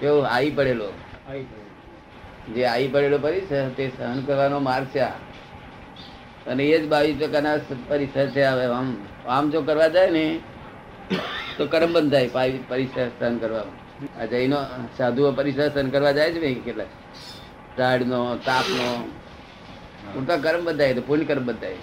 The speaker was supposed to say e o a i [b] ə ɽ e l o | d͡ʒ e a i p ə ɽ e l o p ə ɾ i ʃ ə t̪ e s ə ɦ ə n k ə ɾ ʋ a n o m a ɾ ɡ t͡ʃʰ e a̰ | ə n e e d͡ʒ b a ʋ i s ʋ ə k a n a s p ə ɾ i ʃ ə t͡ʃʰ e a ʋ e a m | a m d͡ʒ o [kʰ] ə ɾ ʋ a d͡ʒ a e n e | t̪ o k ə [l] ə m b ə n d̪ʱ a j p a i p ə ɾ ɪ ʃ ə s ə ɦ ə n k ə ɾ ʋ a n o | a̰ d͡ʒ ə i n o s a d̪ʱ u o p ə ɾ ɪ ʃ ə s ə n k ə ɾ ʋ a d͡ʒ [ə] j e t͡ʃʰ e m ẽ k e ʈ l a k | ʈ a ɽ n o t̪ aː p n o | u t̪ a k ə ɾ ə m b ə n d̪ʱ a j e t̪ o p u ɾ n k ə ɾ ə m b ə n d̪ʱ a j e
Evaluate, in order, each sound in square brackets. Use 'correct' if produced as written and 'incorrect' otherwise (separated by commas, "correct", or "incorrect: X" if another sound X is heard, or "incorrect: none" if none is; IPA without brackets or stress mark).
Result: incorrect: p, incorrect: k, incorrect: ɾ, incorrect: a